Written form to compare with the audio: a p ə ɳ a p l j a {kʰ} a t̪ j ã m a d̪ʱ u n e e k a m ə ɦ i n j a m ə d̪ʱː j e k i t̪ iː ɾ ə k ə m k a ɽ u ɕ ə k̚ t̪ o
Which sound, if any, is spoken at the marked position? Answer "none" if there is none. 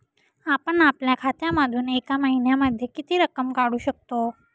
kʰ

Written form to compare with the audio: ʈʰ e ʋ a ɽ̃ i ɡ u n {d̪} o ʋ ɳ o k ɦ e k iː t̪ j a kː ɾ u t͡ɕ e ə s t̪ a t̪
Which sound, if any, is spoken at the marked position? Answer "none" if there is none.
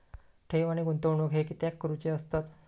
t̪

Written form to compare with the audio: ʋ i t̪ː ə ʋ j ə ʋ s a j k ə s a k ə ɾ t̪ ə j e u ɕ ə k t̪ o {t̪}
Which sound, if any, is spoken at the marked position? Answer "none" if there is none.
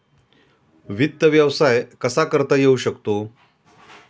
none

